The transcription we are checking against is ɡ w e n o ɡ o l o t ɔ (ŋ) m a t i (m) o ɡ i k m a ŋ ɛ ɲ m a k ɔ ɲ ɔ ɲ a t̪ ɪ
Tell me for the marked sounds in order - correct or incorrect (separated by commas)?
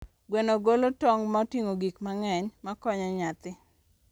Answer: correct, incorrect